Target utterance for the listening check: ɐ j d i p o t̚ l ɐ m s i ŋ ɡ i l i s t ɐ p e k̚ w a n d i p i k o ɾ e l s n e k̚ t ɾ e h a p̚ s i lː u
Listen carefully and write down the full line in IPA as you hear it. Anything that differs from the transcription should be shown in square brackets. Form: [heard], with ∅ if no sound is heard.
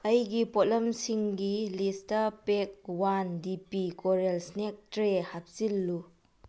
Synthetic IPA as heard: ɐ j [ɡ] i p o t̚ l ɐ m s i ŋ ɡ i l i s t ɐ p e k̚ w a n d i p i k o ɾ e l s n e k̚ t ɾ e h a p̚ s i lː u